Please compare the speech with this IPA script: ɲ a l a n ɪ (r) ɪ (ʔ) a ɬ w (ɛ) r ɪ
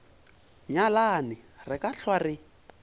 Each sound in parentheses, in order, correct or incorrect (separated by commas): correct, incorrect, incorrect